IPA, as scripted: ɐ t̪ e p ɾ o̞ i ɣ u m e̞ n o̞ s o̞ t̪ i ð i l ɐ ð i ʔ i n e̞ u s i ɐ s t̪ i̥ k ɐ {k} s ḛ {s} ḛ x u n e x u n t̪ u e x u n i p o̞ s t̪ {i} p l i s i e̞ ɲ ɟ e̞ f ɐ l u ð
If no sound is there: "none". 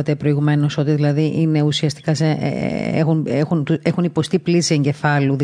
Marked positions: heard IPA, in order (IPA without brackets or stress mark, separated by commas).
none, none, i